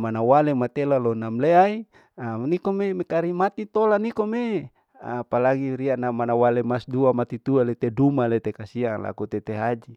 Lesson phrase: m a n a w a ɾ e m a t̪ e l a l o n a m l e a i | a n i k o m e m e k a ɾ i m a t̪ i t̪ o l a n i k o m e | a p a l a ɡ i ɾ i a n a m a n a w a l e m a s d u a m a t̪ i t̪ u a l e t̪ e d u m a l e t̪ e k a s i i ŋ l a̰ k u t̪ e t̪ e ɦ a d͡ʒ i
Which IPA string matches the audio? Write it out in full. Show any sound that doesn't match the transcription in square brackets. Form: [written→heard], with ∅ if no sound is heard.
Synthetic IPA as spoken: m a n a w a [ɾ→l] e m a t̪ e l a l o n a m l e a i | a n i k o m e m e k a ɾ i m a t̪ i t̪ o l a n i k o m e | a p a l a ɡ i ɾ i a n a m a n a w a l e m a s d u a m a t̪ i t̪ u a l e t̪ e d u m a l e t̪ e k a s i [i→a] ŋ l a̰ k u t̪ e t̪ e ɦ a d͡ʒ i